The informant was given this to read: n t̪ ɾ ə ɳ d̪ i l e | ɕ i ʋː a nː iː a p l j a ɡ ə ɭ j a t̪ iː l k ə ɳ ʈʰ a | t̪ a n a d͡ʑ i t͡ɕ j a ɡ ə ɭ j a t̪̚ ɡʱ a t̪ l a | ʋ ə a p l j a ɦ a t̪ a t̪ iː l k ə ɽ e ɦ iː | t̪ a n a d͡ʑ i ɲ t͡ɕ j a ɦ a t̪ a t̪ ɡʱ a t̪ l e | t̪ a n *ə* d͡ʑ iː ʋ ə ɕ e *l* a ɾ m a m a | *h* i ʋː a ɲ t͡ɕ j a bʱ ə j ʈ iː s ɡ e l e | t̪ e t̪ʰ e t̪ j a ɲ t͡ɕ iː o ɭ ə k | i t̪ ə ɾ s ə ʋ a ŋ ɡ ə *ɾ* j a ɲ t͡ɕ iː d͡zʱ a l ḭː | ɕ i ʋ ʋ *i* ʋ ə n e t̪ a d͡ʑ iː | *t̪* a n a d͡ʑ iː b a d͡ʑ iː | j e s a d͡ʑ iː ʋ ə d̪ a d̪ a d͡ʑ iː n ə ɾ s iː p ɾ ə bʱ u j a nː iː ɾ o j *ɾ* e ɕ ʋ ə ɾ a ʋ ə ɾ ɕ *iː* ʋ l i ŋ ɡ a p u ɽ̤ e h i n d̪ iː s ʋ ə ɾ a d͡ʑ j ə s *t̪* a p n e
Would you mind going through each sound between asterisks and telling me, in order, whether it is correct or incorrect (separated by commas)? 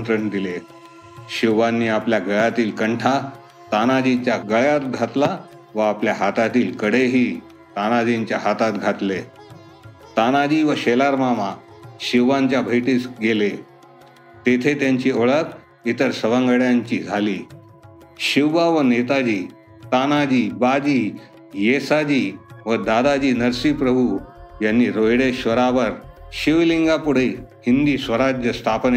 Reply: incorrect, correct, incorrect, incorrect, incorrect, correct, incorrect, incorrect, incorrect